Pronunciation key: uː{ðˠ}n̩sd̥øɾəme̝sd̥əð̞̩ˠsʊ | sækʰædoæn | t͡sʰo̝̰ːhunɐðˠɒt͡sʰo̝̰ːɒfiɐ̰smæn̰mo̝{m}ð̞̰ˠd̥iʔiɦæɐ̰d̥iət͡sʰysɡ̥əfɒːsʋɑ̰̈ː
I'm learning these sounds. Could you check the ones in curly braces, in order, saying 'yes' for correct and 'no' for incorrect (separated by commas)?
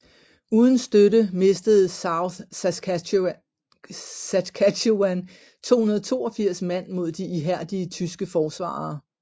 yes, no